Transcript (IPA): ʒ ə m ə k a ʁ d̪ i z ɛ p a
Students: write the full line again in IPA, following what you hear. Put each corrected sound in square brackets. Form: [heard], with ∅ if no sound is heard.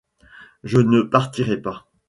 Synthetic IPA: ʒ ə [n] ə [p] a ʁ [t̪] i [ʁ] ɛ p a